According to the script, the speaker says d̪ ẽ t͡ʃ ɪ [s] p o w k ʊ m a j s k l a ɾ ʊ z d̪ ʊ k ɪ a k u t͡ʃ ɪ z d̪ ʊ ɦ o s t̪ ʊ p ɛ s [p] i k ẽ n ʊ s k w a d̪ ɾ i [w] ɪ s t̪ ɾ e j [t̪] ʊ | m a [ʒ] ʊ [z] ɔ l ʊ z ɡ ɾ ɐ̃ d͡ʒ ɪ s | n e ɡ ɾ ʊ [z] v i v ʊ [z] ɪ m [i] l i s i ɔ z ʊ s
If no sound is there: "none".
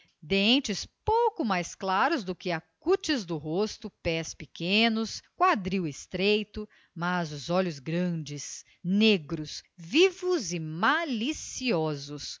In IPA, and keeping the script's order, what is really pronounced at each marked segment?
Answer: s, p, w, t̪, z, z, s, z, a

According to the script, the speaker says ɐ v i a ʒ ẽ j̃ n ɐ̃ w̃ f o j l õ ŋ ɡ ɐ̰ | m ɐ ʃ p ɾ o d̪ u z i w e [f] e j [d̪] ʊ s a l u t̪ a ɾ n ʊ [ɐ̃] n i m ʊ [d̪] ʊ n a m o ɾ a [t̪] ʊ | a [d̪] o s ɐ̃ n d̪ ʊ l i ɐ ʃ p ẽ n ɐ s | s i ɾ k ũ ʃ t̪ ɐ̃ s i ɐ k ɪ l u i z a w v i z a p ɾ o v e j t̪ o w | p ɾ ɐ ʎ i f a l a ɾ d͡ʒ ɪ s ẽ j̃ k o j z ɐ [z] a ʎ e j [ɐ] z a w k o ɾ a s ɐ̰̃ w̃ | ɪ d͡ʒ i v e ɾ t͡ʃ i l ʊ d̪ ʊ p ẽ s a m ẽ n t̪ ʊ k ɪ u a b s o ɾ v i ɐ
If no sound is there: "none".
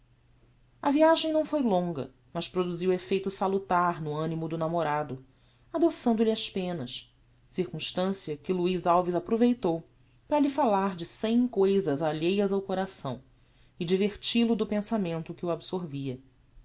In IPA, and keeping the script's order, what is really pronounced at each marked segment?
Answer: f, t̪, ɐ̃, d̪, d̪, d̪, z, ɐ

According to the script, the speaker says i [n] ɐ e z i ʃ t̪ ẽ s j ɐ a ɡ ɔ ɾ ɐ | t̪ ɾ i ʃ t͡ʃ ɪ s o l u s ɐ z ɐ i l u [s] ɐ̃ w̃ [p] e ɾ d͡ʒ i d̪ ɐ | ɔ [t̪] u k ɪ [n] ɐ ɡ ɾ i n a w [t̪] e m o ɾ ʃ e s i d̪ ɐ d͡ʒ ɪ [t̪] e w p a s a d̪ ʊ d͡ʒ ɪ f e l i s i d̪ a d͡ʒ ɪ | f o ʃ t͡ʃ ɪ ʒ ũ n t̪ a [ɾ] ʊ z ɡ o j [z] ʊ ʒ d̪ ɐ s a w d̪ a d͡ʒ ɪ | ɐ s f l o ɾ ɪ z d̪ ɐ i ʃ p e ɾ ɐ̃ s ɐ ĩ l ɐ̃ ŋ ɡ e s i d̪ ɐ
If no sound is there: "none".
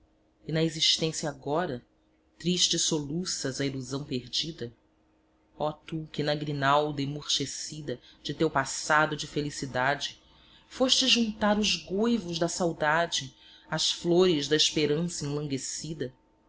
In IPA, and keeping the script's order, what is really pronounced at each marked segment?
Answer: n, z, p, t̪, n, d̪, t̪, ɾ, v

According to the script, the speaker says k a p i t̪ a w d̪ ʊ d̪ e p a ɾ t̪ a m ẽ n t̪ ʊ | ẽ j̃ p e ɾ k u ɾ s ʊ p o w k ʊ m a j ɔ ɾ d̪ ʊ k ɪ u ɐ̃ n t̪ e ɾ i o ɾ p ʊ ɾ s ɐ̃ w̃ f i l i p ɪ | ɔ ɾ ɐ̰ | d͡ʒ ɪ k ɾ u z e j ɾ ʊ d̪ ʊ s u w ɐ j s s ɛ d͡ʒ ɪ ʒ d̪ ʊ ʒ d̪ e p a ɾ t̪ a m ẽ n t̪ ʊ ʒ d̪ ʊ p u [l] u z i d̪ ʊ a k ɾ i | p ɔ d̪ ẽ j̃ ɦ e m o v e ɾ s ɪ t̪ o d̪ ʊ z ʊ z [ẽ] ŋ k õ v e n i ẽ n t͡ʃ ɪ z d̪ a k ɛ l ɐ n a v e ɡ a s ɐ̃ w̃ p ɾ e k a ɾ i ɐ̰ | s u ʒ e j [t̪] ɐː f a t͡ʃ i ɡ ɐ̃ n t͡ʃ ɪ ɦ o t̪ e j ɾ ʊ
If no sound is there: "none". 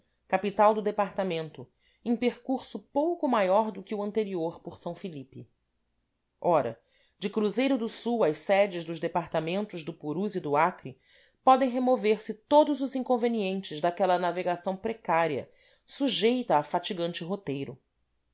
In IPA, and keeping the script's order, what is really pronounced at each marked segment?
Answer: ɾ, ĩ, t̪

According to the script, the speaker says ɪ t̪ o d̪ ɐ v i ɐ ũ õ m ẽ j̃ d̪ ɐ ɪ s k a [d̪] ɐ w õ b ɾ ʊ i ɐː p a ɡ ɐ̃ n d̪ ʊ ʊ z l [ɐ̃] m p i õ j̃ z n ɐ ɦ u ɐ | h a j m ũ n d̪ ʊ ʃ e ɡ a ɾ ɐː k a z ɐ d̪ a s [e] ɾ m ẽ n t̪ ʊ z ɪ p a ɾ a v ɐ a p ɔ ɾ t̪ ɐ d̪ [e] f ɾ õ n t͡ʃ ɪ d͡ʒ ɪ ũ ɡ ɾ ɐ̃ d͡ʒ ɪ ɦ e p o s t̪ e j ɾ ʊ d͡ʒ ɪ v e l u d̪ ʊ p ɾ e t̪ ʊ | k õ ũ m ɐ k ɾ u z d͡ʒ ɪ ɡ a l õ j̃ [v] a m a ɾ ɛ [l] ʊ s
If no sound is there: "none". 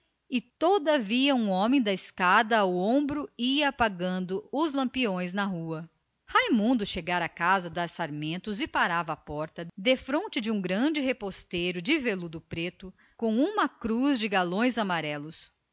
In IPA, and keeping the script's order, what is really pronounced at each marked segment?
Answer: d̪, ɐ̃, a, e, z, l

